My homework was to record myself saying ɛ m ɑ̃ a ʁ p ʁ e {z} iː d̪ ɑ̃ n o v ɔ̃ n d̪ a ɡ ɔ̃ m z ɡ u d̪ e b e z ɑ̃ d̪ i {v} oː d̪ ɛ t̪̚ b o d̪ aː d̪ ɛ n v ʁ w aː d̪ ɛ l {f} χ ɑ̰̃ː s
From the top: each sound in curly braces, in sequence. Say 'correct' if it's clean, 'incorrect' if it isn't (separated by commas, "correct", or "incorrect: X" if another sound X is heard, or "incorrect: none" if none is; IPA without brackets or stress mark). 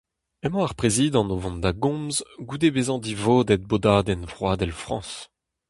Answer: correct, correct, correct